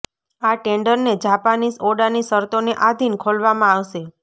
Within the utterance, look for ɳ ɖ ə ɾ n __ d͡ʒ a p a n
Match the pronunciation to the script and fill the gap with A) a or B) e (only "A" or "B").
B